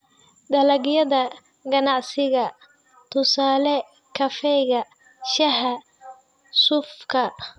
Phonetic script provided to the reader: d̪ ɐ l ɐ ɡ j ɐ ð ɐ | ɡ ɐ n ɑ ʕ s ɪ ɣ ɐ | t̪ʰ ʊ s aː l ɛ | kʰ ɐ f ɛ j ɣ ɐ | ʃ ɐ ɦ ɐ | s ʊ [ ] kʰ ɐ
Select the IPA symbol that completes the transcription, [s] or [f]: f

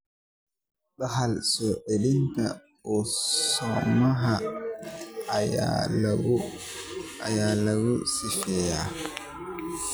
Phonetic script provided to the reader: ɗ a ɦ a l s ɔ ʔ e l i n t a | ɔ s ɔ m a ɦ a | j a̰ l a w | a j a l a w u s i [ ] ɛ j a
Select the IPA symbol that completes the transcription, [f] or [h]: f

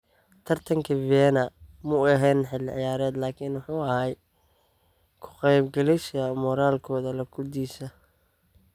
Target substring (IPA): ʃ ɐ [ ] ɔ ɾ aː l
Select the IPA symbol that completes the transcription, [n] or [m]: m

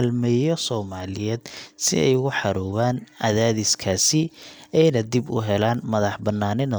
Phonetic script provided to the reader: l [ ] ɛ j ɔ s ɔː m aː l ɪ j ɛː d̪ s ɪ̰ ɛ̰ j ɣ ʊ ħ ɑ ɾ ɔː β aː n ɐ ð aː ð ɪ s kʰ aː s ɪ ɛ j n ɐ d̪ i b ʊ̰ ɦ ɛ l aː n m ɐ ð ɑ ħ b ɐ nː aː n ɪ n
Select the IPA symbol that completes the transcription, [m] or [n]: m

